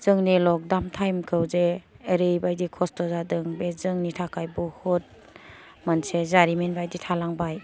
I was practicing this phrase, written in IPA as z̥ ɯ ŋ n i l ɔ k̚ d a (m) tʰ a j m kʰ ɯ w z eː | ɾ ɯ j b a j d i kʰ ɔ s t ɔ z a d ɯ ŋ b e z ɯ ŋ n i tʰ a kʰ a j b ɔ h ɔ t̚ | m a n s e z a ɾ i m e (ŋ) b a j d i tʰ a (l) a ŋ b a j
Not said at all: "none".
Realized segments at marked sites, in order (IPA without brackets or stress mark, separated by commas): m, n, l